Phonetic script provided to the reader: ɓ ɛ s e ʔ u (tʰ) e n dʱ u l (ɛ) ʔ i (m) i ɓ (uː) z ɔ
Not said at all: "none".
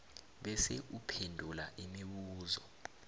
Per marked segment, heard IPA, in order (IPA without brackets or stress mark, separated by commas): pʰ, a, m, uː